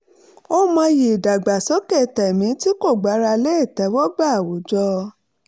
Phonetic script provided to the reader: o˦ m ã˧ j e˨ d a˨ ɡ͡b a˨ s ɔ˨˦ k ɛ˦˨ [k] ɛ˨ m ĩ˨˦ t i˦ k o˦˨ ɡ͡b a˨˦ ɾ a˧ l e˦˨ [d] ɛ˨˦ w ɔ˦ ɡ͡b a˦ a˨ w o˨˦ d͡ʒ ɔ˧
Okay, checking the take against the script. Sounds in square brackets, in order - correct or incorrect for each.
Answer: incorrect, incorrect

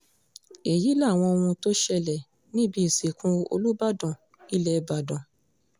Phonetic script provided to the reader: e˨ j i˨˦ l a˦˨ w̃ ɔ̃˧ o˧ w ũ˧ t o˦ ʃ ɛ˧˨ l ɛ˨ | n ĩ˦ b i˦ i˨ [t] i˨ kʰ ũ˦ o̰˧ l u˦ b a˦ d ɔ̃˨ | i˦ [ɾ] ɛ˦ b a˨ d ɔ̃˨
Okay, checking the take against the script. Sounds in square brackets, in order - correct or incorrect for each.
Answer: incorrect, incorrect

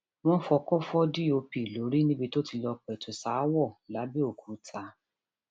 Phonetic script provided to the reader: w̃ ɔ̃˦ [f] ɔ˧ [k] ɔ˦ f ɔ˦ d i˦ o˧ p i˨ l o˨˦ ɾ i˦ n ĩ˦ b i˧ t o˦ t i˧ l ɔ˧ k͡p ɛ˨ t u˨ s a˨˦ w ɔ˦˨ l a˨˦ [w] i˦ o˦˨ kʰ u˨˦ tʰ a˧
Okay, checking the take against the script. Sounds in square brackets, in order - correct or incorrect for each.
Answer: correct, correct, incorrect

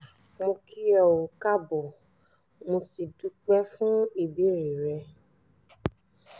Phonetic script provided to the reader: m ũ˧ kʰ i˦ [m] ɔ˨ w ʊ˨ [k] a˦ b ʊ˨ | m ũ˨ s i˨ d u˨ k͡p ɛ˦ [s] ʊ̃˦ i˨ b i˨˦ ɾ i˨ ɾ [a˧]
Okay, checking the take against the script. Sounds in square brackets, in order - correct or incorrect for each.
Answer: incorrect, correct, incorrect, incorrect

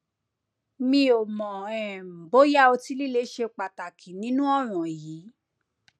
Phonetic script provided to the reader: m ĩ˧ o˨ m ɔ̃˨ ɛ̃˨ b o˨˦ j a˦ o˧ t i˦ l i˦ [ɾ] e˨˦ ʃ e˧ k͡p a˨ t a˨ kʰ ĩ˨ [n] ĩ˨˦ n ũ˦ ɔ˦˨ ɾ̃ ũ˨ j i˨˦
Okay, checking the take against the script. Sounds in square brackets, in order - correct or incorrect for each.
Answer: incorrect, correct

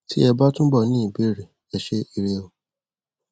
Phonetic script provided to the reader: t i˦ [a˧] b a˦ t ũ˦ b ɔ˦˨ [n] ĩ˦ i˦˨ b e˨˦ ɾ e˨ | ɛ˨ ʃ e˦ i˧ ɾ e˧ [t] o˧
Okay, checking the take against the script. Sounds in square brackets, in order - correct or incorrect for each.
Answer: incorrect, correct, incorrect

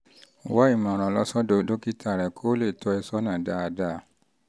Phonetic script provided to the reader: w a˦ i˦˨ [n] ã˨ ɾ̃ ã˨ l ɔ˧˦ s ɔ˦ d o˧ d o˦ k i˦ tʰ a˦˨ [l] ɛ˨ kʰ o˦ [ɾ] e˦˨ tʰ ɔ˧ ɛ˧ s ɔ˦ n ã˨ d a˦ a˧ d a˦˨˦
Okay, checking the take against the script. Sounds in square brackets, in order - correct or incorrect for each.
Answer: incorrect, incorrect, incorrect

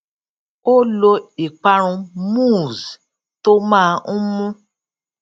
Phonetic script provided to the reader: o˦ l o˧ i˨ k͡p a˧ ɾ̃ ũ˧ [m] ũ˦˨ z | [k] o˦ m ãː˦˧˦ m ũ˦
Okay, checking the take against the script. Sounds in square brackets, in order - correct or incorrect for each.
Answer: correct, incorrect

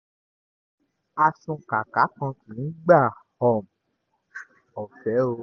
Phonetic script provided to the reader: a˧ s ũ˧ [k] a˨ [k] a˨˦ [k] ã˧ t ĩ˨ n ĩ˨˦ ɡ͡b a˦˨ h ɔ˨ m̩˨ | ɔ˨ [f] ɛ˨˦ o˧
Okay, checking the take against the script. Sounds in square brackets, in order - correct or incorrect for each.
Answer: correct, correct, correct, correct

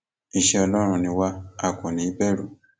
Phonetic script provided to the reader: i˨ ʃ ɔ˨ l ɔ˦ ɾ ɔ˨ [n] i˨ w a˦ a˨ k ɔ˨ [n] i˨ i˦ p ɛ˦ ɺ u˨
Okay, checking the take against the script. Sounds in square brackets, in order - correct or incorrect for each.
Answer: correct, correct

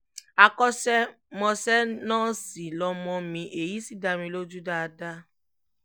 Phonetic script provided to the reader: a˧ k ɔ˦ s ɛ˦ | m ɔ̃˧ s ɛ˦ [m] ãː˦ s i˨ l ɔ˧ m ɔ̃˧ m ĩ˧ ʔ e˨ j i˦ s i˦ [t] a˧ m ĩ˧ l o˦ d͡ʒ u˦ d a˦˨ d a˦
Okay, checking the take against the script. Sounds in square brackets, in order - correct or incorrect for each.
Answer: incorrect, incorrect

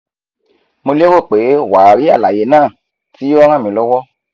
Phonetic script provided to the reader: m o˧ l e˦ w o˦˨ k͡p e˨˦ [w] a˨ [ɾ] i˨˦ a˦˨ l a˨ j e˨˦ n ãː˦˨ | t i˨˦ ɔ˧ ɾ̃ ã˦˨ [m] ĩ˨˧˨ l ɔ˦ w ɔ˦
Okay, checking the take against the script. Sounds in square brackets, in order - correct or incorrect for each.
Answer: correct, correct, correct

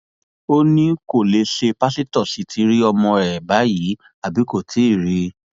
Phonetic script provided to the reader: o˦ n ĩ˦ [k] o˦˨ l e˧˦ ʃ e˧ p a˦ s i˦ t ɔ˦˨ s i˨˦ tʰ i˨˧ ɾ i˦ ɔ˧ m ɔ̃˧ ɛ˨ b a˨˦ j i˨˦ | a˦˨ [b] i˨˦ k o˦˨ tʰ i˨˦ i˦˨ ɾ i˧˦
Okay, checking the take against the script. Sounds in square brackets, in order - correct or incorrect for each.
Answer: correct, correct

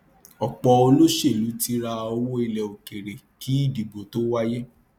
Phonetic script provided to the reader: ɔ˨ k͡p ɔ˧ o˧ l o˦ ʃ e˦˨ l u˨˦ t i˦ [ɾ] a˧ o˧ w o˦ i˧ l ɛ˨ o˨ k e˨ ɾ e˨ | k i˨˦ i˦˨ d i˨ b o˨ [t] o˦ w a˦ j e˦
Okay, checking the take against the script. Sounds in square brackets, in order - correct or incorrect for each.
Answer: correct, correct

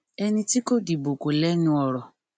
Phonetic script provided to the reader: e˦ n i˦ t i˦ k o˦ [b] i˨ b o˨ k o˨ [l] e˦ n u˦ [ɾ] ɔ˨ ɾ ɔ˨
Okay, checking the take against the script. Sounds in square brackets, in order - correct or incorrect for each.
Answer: incorrect, correct, incorrect

